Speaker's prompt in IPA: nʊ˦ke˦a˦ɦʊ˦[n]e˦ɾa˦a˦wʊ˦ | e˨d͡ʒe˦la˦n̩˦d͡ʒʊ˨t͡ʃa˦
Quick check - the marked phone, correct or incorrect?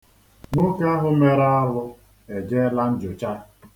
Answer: incorrect